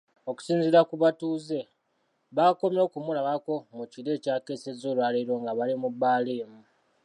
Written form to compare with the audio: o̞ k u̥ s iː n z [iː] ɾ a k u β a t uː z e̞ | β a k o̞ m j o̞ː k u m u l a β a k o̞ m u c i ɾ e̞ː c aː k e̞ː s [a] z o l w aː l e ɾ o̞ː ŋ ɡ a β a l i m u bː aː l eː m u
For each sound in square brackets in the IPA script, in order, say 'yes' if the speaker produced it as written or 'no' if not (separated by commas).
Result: no, no